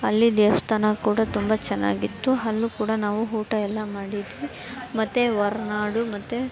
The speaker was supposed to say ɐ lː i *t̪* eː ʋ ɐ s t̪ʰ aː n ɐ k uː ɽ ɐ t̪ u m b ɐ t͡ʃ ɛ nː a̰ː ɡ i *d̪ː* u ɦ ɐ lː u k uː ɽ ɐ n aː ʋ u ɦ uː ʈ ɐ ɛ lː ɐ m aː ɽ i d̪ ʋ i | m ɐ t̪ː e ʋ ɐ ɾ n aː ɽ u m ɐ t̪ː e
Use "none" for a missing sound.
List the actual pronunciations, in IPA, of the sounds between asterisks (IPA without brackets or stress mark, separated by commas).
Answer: d̪, t̪ː